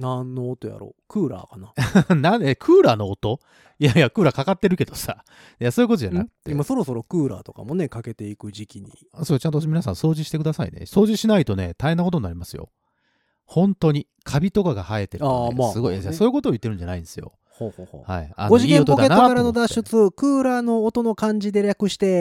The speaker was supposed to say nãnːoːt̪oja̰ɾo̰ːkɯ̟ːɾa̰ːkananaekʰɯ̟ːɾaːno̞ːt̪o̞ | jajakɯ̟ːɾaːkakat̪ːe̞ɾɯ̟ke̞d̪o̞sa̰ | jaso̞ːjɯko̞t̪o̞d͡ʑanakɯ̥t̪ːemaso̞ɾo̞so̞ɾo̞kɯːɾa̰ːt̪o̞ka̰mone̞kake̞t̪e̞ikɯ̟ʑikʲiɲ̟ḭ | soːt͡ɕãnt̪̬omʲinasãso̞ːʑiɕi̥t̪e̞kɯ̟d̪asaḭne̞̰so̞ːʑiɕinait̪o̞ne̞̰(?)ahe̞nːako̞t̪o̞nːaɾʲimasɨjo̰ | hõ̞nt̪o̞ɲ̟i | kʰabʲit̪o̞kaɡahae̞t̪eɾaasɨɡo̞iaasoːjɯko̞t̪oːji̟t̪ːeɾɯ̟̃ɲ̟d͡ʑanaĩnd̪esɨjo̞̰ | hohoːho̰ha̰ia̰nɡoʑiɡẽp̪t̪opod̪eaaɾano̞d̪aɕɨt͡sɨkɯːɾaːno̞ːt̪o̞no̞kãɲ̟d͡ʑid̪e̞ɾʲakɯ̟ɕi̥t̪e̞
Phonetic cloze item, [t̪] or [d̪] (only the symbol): t̪